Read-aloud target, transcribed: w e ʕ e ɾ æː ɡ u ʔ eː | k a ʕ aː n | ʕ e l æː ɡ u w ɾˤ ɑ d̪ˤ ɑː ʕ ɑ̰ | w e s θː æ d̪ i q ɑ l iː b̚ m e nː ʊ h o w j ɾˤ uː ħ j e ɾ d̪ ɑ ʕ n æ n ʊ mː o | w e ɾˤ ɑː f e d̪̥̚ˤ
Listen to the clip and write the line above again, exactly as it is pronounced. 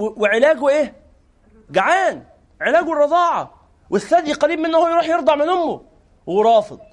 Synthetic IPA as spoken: w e ʕ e l æː ɡ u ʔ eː | ɡ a ʕ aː n | ʕ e l æː ɡ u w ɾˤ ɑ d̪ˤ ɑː ʕ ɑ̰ | w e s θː æ d̪ i q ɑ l iː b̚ m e nː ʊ h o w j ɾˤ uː ħ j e ɾ d̪ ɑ ʕ m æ n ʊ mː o | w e ɾˤ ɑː f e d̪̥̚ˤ